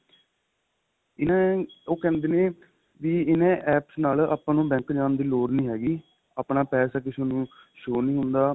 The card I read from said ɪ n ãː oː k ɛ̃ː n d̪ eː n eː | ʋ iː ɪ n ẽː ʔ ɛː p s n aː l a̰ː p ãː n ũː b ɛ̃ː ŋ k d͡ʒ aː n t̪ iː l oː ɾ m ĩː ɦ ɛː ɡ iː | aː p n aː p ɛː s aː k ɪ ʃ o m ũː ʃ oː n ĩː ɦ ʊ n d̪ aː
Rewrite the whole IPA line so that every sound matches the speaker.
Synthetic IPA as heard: ɪ n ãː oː k ɛ̃ː n d̪ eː n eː | ʋ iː ɪ n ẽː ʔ ɛː p s n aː l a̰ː p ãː n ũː b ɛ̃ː ŋ k d͡ʒ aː n d̪ iː l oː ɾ n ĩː ɦ ɛː ɡ iː | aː p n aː p ɛː s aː k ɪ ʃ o n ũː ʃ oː n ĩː ɦ ʊ n d̪ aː